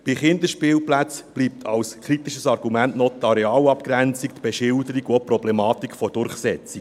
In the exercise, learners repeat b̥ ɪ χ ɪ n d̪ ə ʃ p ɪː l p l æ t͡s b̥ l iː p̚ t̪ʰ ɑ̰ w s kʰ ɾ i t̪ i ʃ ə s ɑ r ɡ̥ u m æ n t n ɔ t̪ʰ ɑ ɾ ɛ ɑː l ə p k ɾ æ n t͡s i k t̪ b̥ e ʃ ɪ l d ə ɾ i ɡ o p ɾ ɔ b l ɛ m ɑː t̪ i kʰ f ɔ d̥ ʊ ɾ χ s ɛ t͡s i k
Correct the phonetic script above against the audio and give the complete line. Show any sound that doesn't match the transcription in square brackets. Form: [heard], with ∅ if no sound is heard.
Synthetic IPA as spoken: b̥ ɪ χ ɪ n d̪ ə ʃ p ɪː l p l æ t͡s b̥ l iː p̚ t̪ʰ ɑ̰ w s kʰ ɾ i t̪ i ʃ ə s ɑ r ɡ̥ u m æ n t n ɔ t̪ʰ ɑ ɾ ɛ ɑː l [ɑ] p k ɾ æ n t͡s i k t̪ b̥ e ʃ ɪ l d ə ɾ i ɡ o p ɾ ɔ b l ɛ m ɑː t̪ i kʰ f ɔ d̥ ʊ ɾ χ s ɛ t͡s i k